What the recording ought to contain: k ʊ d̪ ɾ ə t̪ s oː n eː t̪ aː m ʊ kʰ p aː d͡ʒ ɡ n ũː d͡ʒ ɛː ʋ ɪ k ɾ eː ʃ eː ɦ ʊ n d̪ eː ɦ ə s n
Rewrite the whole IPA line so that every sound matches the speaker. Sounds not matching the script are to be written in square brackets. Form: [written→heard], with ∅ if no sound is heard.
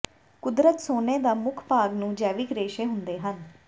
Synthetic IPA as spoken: k ʊ d̪ ɾ ə t̪ s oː n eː [t̪→d̪] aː m ʊ kʰ p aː [d͡ʒ→∅] ɡ n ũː d͡ʒ ɛː ʋ ɪ k ɾ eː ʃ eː ɦ ʊ n d̪ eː ɦ ə [s→∅] n